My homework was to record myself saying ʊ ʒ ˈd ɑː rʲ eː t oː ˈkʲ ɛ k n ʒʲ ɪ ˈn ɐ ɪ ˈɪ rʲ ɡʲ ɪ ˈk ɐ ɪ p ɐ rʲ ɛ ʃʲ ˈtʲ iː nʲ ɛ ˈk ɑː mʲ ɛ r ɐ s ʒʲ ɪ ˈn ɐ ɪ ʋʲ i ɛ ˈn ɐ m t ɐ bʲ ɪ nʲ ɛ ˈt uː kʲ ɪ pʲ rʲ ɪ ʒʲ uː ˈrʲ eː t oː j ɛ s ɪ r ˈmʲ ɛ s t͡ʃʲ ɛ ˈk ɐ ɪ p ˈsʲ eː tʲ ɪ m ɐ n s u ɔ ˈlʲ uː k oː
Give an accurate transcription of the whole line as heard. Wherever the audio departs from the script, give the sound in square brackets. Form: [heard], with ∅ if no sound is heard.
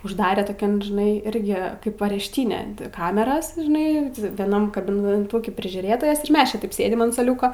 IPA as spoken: ʊ ʒ ˈd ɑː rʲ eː t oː ˈkʲ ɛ [∅] n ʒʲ ɪ ˈn ɐ ɪ ˈɪ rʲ ɡʲ ɪ ˈk ɐ ɪ p ɐ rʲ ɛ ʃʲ ˈtʲ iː nʲ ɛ ˈk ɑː mʲ ɛ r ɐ s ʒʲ ɪ ˈn ɐ ɪ ʋʲ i ɛ ˈn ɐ m [k] ɐ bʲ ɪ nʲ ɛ ˈt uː kʲ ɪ pʲ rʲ ɪ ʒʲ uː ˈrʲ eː t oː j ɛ s ɪ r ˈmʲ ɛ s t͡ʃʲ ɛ [ˈt] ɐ ɪ p ˈsʲ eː [dʲ] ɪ m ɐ n s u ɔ ˈlʲ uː k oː